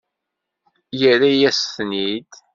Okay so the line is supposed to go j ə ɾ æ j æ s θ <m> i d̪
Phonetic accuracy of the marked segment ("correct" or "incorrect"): incorrect